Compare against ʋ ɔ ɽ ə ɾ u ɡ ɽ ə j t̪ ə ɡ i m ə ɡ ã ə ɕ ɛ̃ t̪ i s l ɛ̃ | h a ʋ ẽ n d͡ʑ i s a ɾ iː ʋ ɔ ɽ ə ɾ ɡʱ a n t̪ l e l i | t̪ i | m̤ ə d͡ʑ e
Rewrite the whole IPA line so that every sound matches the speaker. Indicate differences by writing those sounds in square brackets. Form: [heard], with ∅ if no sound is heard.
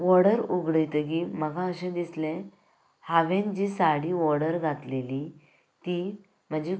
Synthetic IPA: ʋ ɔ ɽ ə ɾ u ɡ ɽ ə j t̪ ə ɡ i m ə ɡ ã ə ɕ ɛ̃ [d̪] i s l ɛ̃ | h a ʋ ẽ n d͡ʑ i s a [ɽ] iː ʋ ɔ ɽ ə ɾ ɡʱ a [∅] t̪ l e l i | t̪ i | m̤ ə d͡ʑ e